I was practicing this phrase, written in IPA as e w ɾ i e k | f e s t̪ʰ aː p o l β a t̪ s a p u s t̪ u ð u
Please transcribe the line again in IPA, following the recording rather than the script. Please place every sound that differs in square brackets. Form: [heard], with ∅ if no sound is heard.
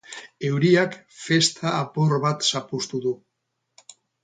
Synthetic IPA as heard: e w ɾ i [a] k | f e s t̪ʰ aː p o [ɾ] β a t̪ s a p u s t̪ u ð u